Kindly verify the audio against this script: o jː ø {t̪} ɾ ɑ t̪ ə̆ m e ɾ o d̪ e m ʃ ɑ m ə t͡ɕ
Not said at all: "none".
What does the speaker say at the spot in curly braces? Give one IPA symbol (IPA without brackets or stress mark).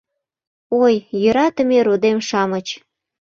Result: none